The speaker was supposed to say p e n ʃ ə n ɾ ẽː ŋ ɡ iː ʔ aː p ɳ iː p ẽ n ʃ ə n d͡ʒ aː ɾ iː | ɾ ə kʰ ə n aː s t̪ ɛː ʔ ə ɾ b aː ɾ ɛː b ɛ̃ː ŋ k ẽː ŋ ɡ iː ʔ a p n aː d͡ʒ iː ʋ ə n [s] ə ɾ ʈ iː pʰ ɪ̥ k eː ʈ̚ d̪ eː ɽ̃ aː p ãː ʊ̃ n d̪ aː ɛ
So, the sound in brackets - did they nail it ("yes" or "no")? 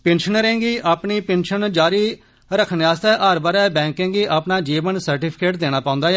yes